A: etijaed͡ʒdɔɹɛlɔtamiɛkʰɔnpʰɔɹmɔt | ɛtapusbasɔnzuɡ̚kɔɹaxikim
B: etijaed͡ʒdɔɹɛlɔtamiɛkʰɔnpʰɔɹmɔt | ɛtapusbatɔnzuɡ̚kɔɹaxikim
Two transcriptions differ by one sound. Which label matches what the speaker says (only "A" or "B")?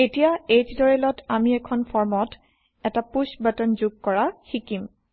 B